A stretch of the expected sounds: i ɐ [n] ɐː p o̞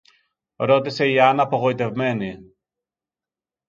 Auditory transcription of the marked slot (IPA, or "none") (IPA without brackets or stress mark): n